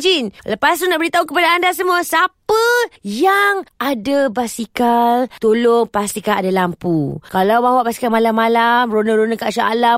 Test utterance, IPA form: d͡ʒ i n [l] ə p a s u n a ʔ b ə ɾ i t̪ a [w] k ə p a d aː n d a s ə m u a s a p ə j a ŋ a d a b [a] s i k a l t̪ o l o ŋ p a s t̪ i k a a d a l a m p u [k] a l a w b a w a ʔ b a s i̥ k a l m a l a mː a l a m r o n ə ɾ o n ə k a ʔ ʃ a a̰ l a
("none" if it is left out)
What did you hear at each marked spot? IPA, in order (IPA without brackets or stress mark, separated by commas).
l, u, a, k